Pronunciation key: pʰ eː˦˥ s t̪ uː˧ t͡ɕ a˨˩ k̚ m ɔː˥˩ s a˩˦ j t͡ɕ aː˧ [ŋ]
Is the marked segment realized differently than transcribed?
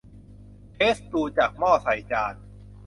yes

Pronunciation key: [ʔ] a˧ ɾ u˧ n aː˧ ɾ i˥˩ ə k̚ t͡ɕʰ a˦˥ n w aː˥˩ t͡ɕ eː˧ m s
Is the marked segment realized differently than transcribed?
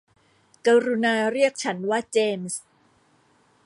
yes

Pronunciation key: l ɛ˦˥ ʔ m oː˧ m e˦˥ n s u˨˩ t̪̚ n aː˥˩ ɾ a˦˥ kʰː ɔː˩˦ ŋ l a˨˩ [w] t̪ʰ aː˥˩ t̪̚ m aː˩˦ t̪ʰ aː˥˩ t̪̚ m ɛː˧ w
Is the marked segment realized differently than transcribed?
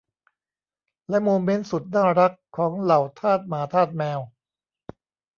no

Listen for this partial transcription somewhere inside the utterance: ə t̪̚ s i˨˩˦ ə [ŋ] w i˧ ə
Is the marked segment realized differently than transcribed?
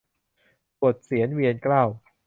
yes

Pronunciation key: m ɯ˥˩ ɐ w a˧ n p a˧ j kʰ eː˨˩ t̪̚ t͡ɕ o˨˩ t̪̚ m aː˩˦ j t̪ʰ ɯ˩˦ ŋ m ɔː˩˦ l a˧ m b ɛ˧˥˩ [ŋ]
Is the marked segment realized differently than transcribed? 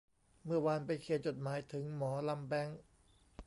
no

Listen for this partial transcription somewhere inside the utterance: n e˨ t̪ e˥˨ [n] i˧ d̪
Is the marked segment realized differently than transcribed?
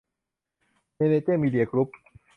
yes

